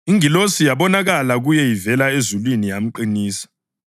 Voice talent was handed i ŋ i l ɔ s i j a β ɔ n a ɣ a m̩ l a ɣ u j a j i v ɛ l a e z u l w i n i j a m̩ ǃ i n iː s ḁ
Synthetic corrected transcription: i ŋ i l o s i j a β ɔ n a ɣ a l a ɣ u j ɛ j i v ɛ l a e z u l w i n i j a m̩ ǃ i n iː s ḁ